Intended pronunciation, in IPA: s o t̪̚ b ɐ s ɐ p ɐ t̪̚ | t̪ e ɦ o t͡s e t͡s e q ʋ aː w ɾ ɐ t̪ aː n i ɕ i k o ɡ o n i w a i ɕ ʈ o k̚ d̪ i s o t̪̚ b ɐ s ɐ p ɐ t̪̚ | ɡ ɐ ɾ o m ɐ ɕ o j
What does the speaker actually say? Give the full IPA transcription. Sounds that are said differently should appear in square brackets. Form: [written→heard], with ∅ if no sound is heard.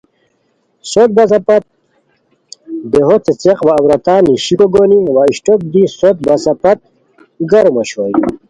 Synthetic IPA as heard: s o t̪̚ b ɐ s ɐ p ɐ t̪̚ | [t̪→d̪] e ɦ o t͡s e t͡s e q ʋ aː w ɾ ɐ t̪ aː n i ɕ i k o ɡ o n i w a i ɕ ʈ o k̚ d̪ i s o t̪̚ b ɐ s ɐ p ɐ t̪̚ | ɡ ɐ ɾ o m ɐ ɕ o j